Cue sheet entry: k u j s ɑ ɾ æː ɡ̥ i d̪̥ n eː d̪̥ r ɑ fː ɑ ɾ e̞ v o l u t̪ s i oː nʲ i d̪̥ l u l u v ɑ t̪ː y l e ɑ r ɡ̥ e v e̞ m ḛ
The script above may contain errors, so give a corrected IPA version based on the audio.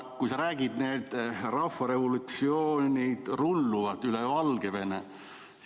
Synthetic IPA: k u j s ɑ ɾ æː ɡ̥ i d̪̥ n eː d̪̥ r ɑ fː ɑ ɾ e̞ v o l u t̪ s i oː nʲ i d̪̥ r u lː u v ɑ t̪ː y l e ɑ l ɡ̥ e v e̞ n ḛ

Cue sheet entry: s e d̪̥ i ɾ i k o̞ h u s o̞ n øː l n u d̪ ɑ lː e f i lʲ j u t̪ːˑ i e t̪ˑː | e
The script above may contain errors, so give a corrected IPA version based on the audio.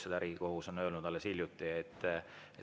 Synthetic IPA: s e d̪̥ æ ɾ i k o̞ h u s o̞ n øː l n u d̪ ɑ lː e s i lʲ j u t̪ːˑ i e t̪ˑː | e

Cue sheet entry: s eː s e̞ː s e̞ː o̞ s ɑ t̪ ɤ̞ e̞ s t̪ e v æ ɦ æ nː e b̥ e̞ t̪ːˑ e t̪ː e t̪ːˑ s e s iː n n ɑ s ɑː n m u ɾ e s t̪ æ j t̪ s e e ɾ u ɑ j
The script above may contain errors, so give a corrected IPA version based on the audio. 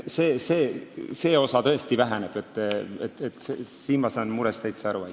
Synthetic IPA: s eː s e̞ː s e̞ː o̞ s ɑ t̪ ɤ̞ e̞ s t̪ i v æ ɦ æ n e b̥ e̞ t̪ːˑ e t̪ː e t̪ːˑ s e s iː n m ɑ s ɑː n m u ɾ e s t̪ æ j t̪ s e æ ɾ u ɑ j

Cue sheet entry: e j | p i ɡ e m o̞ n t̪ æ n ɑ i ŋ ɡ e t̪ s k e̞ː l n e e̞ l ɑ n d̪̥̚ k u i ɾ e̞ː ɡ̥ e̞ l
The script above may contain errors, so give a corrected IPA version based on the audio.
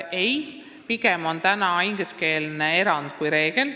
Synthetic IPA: e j | p i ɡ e m o̞ n t̪ æ n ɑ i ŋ ɡ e s k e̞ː l n e e̞ ɾ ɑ n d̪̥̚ k u j ɾ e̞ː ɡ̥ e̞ l

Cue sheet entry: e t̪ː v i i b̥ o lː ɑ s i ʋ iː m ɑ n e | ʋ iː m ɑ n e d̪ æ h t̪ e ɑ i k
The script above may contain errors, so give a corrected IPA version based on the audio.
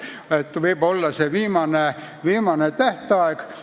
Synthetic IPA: e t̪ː ʋ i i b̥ o lː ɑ s e ʋ iː m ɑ n e | ʋ iː m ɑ n e t̪ æ h t̪ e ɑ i k

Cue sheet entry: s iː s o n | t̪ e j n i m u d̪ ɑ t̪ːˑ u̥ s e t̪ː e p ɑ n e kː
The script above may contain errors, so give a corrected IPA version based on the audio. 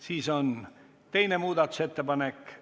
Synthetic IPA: s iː s o n | t̪ e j n e m uː d̪ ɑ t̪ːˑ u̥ s e t̪ː e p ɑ n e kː

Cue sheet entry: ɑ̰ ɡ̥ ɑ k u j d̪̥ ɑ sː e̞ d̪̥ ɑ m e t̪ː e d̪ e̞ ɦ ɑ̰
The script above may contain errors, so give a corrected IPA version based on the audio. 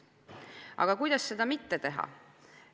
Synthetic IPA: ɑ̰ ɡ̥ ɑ k u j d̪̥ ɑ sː e̞ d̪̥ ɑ m i t̪ː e t̪ e̞ ɦ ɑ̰

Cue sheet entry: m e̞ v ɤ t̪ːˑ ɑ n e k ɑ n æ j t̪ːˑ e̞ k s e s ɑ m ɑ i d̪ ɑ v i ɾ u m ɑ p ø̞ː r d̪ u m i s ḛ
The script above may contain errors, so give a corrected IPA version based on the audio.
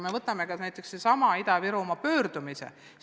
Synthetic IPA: m e̞ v ɤ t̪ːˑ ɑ m e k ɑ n æ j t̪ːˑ e̞ k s e s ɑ m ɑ i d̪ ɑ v i ɾ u m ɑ p ø̞ː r d̪ u m i s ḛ

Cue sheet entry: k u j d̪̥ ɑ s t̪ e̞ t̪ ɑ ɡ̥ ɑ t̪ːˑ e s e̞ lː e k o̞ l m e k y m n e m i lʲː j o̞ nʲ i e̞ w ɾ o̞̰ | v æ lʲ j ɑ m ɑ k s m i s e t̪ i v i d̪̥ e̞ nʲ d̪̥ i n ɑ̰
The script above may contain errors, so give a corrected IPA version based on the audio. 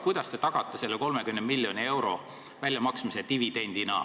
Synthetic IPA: k u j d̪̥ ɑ s t̪ e̞ t̪ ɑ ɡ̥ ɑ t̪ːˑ e s e̞ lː e k o̞ l m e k y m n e m i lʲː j o̞ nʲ i e̞ w ɾ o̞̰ | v æ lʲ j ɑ m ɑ k s m i s e t̪ i v i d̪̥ e̞ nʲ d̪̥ i n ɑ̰

